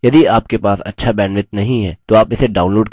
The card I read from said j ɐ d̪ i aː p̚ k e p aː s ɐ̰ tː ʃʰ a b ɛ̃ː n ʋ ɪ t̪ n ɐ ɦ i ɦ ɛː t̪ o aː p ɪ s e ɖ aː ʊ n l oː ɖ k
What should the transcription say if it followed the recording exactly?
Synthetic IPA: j ɐ d̪ i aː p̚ k e p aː s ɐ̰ tː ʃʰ a b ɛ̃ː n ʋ ɪ t̪ n ɐ ɦ ĩ ɦ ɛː t̪ o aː p ɪ s e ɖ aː ʊ n l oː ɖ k